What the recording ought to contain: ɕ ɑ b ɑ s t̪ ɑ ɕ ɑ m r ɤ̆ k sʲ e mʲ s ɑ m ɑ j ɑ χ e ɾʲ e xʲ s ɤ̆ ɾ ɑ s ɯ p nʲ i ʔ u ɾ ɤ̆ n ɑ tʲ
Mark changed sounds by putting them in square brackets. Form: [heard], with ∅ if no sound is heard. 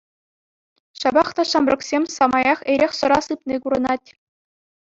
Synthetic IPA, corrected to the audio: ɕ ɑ b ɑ [χ] t̪ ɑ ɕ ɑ m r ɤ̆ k sʲ e mʲ s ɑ m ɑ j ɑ χ e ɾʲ e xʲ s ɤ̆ ɾ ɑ s ɯ p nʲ i [k] u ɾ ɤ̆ n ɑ tʲ